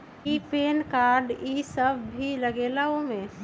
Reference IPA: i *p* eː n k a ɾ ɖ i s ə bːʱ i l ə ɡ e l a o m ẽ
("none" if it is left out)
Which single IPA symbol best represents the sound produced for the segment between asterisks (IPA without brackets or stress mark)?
p